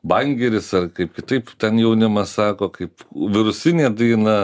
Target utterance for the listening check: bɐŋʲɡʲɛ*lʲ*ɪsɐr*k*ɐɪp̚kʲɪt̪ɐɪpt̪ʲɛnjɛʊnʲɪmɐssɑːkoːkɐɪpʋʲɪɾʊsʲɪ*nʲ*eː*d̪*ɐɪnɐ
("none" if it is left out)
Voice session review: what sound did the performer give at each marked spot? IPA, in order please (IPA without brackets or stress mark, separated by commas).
ɾʲ, k, nʲ, d̪